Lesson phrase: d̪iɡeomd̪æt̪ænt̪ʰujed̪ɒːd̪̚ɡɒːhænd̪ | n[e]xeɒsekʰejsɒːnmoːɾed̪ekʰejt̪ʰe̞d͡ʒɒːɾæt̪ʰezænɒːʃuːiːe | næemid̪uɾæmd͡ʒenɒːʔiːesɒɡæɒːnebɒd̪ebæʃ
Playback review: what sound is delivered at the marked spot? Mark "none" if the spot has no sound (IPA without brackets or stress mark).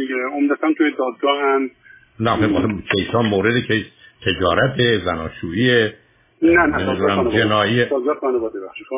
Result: æ